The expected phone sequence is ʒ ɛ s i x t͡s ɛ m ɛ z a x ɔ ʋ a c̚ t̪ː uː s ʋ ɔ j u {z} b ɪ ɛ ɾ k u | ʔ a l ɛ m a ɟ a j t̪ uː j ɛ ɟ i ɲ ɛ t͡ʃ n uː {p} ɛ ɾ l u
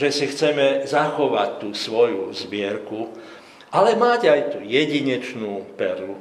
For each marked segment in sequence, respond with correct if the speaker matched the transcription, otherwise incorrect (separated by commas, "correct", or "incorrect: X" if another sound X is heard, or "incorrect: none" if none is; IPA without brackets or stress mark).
correct, correct